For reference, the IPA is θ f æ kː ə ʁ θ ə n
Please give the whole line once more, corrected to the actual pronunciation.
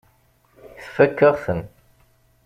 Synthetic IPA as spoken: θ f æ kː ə ʁ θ ə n

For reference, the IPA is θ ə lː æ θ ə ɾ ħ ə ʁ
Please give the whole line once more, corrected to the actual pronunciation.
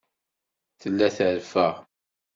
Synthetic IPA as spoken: θ ə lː æ θ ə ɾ f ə ʁ

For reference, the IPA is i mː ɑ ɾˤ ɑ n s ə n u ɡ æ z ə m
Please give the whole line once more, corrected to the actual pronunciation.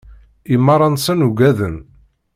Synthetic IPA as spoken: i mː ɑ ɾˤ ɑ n s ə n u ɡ æ ð ə n

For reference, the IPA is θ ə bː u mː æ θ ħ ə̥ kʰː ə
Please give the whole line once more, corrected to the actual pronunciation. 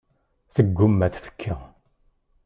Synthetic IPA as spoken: θ ə ɡː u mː æ θ f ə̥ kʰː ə

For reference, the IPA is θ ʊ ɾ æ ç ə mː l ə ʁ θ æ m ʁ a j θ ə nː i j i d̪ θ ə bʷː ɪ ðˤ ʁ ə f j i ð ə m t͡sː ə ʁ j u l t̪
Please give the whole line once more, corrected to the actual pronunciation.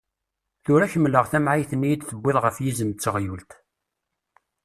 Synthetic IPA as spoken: θ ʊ ɾ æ ç ə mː l ə ʁ θ æ m ʕ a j θ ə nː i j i d̪ θ ə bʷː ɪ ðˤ ʁ ə f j i z ə m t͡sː ə ʁ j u l t̪

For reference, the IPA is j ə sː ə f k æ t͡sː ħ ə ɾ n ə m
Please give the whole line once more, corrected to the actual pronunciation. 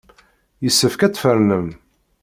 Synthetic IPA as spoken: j ə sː ə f k æ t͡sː f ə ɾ n ə m

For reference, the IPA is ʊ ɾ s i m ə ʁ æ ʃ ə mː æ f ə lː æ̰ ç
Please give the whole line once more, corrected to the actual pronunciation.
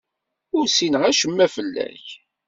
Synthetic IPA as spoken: ʊ ɾ s i n ə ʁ æ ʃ ə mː æ f ə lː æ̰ ç

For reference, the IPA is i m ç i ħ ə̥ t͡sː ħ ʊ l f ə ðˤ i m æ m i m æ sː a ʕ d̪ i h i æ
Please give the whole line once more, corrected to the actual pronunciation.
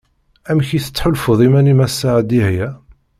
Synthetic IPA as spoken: æ m ç i θ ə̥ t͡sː ħ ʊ l f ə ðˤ i m æ n i m æ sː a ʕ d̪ i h j æ

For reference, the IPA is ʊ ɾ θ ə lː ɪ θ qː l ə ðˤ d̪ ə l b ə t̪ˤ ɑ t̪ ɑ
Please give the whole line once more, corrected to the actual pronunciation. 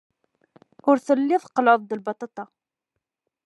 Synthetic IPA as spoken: ʊ ɾ θ ə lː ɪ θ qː l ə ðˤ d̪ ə l b ɑ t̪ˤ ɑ t̪ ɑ

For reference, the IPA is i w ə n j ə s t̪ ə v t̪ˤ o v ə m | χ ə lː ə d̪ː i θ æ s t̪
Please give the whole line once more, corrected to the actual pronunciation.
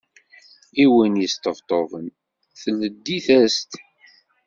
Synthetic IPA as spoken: i w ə n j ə s t̪ ə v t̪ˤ o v ə n | θ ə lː ə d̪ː i θ æ s t̪

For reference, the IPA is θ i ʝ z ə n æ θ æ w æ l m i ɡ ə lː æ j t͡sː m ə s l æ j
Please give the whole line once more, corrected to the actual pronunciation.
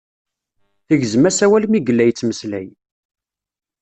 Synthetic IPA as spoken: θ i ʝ z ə m æ s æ w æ l m i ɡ ə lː æ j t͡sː m ə s l æ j

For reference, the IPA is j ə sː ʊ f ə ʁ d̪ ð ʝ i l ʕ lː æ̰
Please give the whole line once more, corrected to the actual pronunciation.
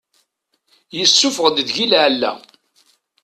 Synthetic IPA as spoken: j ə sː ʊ f ə ʁ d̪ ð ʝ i l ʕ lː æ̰

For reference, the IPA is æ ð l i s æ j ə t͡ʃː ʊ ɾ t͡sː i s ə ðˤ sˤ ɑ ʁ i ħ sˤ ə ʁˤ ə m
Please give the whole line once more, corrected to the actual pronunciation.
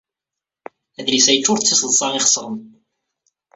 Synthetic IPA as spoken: æ ð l i s æ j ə t͡ʃː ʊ ɾ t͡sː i s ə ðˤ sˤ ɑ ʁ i χ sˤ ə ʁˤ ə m

